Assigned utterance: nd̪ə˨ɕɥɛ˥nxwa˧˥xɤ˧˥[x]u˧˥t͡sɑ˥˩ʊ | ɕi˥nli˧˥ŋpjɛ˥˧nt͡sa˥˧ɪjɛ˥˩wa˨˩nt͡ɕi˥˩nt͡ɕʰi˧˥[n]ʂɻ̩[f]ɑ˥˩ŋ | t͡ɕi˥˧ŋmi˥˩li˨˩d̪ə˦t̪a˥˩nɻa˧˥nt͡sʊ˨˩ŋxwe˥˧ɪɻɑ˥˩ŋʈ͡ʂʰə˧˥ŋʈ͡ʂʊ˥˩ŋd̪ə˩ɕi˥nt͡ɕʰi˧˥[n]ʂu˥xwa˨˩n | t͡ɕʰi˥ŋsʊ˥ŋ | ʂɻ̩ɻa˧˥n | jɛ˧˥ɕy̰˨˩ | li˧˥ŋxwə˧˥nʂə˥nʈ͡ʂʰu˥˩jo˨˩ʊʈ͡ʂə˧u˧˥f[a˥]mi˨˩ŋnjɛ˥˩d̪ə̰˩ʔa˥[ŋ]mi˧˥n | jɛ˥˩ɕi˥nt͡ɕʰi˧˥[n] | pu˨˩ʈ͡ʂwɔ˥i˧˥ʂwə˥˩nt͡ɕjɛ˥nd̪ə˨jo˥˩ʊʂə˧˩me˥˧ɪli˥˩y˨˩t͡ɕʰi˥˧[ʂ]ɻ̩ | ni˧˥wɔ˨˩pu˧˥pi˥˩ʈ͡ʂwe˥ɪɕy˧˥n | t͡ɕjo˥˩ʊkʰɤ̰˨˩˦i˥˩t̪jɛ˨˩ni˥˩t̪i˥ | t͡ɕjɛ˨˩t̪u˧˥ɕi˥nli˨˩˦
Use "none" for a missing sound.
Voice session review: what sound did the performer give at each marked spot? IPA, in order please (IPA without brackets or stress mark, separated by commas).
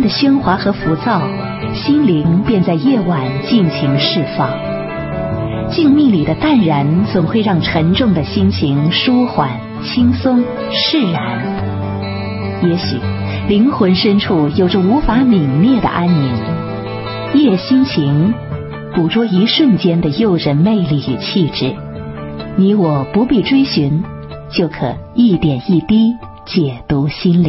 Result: f, ŋ, f, ŋ, a˧˥, n, ŋ, ʈ͡ʂ